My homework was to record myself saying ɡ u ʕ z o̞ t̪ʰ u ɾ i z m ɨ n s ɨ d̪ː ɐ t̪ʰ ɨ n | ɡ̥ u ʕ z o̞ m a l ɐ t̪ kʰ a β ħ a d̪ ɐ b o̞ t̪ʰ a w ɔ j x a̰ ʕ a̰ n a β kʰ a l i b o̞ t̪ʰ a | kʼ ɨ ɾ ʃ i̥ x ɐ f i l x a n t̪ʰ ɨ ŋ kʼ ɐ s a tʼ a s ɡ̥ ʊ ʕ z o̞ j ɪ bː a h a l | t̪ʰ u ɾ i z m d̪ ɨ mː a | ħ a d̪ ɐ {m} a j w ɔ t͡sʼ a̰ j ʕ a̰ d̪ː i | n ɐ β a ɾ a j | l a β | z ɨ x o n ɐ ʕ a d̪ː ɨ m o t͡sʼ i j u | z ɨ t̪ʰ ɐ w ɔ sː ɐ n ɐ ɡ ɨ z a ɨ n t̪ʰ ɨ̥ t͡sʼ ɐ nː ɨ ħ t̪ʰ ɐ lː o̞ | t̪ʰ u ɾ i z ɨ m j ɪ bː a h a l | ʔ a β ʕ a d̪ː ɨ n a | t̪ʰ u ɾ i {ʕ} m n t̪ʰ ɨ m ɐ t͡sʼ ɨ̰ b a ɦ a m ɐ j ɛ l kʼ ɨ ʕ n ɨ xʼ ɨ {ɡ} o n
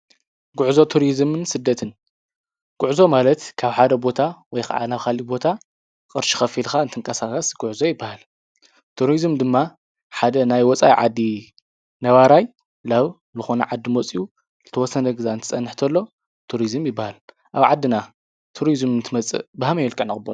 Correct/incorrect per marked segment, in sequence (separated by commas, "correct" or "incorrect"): incorrect, incorrect, incorrect